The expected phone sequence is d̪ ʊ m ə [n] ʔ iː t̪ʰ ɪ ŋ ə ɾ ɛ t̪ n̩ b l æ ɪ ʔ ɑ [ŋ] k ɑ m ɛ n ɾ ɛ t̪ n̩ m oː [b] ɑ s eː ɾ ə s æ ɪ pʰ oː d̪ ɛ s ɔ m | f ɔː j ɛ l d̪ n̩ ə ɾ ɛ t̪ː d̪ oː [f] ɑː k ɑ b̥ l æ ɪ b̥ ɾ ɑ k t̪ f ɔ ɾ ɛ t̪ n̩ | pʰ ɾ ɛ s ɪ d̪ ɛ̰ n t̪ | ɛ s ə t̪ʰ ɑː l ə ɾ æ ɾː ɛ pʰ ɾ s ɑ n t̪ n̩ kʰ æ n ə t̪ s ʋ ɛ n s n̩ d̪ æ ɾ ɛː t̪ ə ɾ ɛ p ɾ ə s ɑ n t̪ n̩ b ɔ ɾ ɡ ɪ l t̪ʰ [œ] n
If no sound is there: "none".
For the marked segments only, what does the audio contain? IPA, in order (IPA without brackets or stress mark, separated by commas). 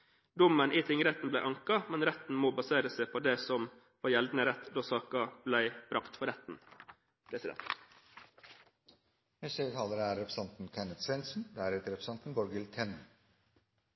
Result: n, ŋ, b, s, ɛ